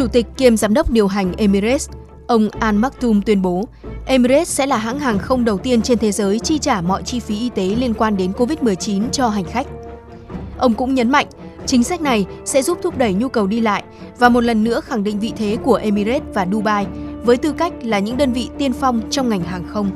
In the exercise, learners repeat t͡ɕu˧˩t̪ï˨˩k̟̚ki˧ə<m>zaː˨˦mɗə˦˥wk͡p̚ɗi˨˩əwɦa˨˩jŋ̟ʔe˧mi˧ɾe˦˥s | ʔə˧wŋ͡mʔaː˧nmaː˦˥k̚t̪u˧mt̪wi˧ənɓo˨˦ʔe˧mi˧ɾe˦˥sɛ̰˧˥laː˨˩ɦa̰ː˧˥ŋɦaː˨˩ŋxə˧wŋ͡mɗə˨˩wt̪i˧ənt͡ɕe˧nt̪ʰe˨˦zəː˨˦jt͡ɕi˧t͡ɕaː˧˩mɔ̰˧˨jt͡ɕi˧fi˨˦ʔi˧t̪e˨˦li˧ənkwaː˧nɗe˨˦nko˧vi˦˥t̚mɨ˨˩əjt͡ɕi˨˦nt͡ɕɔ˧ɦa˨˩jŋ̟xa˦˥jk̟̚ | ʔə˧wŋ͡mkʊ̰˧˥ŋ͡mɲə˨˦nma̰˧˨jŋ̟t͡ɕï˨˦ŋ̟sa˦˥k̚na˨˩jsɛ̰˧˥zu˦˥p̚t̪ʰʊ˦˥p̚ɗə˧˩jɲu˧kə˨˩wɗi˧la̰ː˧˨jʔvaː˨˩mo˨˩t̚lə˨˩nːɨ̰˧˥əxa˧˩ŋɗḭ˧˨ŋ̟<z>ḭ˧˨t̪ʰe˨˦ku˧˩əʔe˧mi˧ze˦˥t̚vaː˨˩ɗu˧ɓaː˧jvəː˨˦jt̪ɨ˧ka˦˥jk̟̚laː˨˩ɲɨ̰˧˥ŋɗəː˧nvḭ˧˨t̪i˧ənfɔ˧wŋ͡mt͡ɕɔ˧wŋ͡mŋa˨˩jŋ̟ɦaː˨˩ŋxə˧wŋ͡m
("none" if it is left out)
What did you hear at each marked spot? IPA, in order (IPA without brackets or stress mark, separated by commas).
m, v